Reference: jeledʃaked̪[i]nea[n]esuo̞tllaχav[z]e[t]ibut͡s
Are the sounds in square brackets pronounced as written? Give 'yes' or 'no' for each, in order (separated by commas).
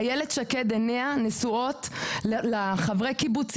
no, yes, no, no